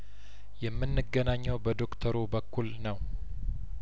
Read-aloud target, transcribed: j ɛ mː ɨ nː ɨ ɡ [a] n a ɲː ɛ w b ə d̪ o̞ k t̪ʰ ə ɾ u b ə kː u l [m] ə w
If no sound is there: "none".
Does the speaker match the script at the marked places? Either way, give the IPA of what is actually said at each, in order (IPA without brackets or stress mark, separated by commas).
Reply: ə, n